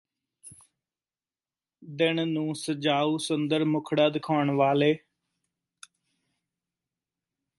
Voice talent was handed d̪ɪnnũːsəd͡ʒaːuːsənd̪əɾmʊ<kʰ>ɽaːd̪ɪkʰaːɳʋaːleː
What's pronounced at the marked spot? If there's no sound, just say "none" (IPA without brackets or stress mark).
kʰ